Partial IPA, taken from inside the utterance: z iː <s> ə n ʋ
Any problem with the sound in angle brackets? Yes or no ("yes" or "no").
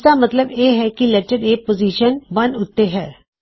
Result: yes